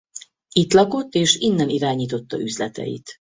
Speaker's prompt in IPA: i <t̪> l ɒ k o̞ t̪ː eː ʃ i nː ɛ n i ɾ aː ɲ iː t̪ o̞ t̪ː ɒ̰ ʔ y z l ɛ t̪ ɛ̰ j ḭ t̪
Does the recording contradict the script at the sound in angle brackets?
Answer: no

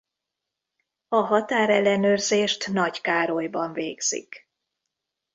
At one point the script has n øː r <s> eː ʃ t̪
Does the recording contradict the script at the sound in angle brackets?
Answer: yes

